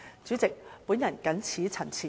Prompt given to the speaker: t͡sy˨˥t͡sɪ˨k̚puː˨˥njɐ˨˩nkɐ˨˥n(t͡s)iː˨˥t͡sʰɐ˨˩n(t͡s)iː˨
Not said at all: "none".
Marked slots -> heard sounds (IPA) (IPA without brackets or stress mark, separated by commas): t͡sʰ, t͡sʰ